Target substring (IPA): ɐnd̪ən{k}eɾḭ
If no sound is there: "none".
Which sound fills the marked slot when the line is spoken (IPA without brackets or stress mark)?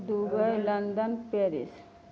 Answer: p